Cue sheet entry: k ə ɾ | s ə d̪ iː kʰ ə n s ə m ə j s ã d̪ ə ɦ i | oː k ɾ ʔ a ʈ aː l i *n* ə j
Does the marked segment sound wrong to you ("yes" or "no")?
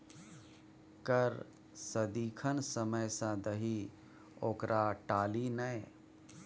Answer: no